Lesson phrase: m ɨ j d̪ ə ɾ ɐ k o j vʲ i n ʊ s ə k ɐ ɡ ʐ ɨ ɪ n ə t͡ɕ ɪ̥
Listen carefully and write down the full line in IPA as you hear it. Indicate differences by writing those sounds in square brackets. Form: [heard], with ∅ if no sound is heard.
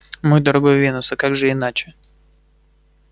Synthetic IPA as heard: m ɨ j d̪ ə ɾ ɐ [ɡ] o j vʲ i n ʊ s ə k [a] ɡ ʐ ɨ ɪ n [a] t͡ɕ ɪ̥